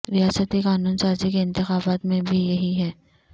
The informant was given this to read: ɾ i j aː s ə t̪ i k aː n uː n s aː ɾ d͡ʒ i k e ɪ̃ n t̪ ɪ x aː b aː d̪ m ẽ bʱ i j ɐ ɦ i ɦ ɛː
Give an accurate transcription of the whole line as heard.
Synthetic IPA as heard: ɾ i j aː s ə t̪ i k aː n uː n s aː ɾ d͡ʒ i k e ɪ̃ n t̪ ɪ x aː b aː t̪ m ẽ bʱ i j ɐ ɦ i ɦ ɛː